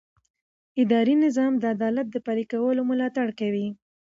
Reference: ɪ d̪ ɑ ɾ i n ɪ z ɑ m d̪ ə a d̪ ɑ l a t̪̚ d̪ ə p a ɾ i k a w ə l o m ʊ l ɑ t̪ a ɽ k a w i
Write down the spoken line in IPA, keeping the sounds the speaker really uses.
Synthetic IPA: ɪ d̪ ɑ ɾ i n ɪ z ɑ m d̪ ə a d̪ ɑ l a t̪̚ d̪ ə p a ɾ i k a w ə l o m ʊ l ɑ t̪ a ɽ k a w i